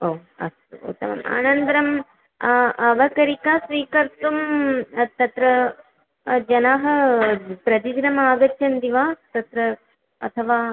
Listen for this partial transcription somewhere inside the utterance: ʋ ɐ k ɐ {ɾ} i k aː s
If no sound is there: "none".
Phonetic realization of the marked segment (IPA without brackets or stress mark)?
ɾ